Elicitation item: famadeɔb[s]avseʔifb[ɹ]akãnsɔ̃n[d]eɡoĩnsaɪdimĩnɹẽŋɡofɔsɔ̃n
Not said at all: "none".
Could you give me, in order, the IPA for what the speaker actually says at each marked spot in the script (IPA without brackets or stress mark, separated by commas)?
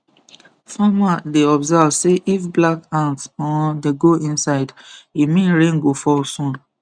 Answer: z, l, d